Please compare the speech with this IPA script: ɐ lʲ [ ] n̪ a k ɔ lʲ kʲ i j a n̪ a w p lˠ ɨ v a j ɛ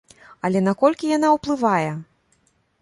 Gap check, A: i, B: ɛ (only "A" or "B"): B